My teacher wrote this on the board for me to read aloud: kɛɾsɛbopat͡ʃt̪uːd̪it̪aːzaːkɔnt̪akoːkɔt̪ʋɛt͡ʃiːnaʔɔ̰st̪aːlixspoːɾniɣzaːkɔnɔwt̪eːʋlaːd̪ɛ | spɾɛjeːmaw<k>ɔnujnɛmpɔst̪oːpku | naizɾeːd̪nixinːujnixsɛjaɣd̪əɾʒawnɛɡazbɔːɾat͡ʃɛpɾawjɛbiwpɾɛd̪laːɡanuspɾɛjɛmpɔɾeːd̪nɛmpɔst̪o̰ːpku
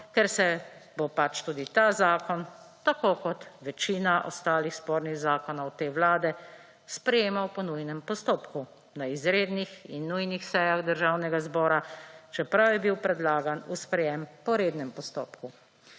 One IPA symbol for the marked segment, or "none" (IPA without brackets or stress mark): p